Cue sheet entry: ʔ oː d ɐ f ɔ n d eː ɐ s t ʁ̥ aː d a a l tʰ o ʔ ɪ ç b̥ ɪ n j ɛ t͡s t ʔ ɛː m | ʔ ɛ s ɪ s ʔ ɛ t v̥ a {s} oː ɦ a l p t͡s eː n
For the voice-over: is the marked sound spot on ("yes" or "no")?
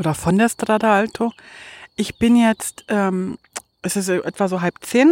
no